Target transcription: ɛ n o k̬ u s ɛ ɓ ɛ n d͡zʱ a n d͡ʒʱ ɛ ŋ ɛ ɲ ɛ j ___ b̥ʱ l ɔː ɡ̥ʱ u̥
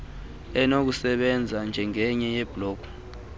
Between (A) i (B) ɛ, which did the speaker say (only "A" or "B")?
B